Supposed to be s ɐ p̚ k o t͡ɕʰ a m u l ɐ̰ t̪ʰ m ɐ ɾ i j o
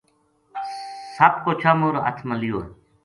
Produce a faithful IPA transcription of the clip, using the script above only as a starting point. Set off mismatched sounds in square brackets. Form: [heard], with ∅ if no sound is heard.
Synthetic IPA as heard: s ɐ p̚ k o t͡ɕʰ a m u [ɾ] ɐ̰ t̪ʰ m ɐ [l] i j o

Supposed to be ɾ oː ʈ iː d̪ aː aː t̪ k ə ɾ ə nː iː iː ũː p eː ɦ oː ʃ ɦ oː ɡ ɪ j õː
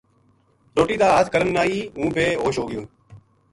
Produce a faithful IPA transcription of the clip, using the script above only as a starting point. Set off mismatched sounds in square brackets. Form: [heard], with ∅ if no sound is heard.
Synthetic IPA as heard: ɾ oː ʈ iː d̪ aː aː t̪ k ə ɾ ə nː [aː] iː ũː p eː ɦ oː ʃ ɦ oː ɡ ɪ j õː

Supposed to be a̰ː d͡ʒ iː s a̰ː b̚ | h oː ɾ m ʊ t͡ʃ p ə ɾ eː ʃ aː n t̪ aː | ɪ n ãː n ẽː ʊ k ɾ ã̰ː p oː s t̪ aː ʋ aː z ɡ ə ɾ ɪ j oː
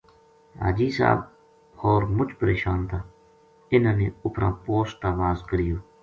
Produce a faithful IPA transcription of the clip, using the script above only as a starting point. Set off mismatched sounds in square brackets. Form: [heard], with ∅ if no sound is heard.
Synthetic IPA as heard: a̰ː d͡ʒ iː s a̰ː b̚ | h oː ɾ m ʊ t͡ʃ p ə ɾ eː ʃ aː n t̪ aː | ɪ n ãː n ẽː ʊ [p] ɾ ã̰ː p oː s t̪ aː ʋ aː z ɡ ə ɾ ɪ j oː

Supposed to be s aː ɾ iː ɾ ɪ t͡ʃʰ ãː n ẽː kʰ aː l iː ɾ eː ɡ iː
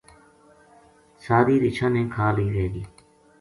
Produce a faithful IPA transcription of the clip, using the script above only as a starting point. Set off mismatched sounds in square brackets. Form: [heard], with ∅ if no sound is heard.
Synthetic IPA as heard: s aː ɾ iː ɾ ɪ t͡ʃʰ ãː n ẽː kʰ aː l iː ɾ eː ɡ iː

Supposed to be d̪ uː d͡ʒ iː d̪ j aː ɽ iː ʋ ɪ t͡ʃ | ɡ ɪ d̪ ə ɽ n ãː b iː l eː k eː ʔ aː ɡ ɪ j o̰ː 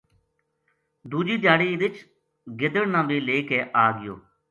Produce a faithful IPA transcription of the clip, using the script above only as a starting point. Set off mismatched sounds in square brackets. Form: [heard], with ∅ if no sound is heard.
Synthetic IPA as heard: d̪ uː d͡ʒ iː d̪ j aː ɽ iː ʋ ɪ t͡ʃ | ɡ ɪ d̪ ə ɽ n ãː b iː l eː k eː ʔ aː ɡ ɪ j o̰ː

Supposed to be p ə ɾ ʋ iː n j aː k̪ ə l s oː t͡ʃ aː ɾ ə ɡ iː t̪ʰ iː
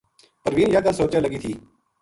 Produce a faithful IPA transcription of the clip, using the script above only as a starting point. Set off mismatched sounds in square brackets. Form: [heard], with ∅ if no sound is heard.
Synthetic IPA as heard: p ə ɾ ʋ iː n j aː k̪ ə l s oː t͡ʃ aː [l] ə ɡ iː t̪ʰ iː

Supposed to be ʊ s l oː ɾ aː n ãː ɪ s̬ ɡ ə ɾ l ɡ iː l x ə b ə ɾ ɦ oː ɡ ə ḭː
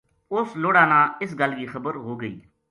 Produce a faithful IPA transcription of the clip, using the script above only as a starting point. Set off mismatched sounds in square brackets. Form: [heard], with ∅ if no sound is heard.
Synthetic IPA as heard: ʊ s l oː [ɽ] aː n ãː ɪ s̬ ɡ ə [∅] l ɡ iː [∅] x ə b ə ɾ ɦ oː ɡ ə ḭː

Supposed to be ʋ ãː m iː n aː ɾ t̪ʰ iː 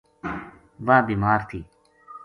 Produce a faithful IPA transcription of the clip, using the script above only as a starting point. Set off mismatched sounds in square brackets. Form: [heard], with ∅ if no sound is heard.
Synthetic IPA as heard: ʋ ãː [b] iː [m] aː ɾ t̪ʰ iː

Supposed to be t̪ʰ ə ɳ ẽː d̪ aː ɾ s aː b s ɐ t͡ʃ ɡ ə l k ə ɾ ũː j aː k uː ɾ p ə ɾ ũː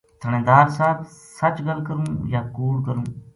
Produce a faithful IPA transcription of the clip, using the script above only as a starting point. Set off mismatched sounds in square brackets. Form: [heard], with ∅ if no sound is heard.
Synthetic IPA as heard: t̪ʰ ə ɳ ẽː d̪ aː ɾ s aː b s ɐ t͡ʃ ɡ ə l k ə ɾ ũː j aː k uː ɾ [k] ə ɾ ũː

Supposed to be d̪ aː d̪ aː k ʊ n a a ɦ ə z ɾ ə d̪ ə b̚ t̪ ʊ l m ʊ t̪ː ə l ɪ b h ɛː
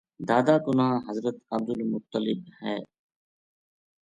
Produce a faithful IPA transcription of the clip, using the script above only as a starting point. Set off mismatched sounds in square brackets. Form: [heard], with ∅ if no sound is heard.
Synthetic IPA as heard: d̪ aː d̪ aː k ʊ n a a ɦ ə z ɾ ə [t̪] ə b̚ [d̪] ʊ l m ʊ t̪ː ə l ɪ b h ɛː

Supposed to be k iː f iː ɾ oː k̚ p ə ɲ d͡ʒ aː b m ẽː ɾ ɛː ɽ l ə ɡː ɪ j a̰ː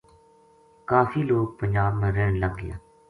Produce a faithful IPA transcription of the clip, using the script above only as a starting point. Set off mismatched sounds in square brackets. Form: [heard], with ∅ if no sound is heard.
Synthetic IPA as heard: k [aː] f iː [l] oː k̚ p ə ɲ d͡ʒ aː b m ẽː ɾ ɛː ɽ l ə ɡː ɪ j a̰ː

